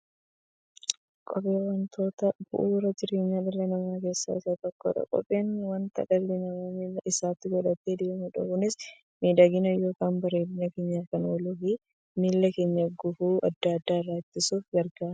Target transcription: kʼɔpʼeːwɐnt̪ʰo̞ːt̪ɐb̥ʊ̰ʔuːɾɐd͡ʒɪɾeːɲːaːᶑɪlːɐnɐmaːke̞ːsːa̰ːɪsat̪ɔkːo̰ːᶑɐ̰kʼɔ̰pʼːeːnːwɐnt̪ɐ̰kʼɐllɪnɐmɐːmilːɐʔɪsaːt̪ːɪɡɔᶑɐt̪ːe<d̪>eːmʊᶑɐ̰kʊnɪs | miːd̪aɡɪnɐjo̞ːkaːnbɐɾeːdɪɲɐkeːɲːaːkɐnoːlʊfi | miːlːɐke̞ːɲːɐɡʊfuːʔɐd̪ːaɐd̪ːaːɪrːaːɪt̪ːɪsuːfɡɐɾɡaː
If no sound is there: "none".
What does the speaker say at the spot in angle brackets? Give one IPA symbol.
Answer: d̪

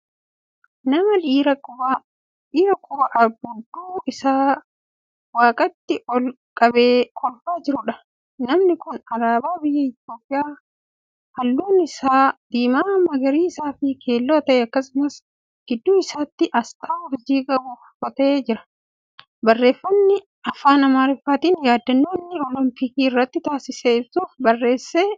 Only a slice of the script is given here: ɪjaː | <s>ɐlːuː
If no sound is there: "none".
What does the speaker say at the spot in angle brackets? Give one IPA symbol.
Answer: h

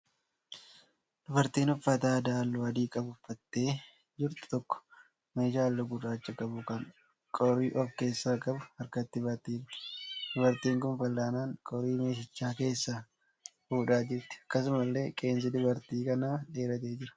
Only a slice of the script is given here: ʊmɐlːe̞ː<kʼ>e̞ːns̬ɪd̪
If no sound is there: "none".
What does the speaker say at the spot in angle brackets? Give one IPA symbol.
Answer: kʼ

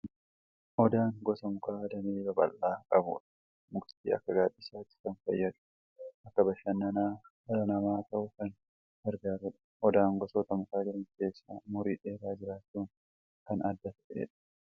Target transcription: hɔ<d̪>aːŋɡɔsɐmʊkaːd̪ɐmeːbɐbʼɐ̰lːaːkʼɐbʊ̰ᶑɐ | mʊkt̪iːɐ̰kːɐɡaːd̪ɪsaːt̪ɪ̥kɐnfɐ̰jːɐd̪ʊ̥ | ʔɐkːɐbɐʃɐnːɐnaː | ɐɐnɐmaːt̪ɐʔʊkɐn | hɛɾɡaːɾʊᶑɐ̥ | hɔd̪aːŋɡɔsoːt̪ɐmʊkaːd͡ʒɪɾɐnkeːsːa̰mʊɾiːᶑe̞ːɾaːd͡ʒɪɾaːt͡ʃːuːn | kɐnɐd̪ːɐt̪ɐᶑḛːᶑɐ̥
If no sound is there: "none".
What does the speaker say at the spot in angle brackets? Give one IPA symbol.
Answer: d̪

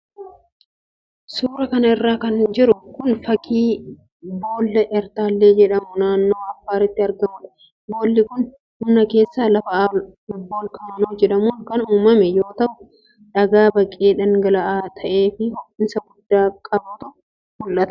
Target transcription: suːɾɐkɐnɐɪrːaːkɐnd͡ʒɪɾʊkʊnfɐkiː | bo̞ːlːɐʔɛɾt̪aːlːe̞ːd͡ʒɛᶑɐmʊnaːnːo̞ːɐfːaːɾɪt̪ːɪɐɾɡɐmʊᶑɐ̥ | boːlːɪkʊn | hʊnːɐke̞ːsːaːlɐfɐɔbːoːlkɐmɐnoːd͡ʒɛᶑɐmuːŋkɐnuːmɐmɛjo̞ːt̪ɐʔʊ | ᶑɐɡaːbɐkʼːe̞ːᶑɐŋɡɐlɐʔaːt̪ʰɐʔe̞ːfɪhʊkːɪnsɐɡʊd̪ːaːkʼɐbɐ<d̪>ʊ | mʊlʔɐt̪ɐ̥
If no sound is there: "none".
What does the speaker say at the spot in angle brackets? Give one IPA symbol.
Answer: t̪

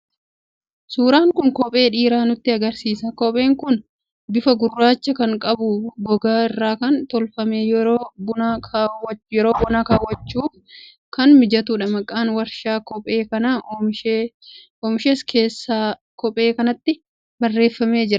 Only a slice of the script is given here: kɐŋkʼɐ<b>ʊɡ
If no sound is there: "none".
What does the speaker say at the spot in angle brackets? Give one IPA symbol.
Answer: b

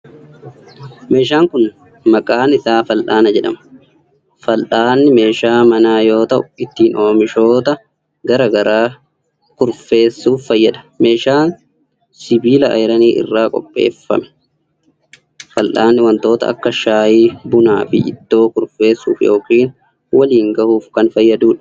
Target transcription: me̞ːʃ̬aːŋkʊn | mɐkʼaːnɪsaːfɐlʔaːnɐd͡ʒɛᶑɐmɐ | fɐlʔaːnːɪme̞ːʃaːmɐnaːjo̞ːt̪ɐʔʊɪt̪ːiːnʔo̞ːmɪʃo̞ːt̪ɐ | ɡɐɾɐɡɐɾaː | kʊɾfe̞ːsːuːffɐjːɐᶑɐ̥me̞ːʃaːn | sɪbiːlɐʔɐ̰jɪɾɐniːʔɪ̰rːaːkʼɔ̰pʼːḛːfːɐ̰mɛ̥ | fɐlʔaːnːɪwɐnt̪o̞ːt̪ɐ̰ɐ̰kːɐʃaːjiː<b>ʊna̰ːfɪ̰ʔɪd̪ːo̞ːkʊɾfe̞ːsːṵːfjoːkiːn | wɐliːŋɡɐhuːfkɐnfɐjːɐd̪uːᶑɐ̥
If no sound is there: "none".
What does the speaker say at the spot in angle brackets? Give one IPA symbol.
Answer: b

